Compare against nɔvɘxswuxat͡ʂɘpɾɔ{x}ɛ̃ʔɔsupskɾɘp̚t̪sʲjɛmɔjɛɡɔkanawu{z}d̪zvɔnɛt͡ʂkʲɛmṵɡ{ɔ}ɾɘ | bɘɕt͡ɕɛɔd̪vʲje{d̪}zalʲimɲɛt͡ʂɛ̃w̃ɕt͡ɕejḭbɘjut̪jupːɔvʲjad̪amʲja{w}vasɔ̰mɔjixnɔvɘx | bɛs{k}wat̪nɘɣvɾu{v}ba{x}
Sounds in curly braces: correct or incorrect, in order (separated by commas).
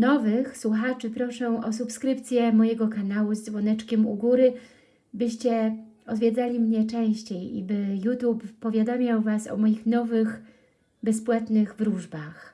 incorrect, correct, incorrect, correct, correct, incorrect, incorrect, correct